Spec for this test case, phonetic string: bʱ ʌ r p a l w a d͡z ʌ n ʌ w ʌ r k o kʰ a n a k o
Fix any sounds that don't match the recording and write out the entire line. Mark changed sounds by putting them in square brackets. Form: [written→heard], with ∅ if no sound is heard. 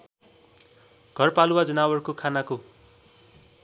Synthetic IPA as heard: [bʱ→ɡʱ] ʌ r p a l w a d͡z ʌ n [ʌ→a] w ʌ r k o kʰ a n a k o